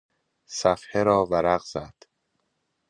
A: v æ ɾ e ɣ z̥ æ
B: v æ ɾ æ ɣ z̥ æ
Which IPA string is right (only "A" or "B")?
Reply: B